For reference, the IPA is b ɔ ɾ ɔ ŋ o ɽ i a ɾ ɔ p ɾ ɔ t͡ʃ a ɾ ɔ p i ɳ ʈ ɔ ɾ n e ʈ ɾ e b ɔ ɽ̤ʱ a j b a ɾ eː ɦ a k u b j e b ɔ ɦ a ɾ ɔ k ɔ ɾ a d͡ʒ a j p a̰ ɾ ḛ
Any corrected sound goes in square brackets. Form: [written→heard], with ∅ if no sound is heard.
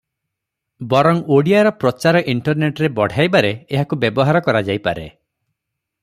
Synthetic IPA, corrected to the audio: b ɔ ɾ ɔ ŋ o ɽ i a ɾ ɔ p ɾ ɔ t͡ʃ a ɾ ɔ [p→ʔ] i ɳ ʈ ɔ ɾ n e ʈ ɾ e b ɔ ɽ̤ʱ a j b a ɾ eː ɦ a k u b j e b ɔ ɦ a ɾ ɔ k ɔ ɾ a d͡ʒ a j p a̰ ɾ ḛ